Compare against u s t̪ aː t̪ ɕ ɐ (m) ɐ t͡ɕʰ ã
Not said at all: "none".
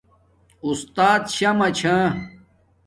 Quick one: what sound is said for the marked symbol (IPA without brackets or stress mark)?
m